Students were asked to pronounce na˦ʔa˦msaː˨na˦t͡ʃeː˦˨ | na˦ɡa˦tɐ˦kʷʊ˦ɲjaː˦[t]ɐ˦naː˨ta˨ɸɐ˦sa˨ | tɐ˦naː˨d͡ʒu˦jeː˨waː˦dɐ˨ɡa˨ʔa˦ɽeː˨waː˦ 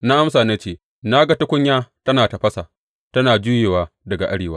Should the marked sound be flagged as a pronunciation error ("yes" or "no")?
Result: no